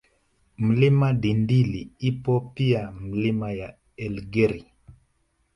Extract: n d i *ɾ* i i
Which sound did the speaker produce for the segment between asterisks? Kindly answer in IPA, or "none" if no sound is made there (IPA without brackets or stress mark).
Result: l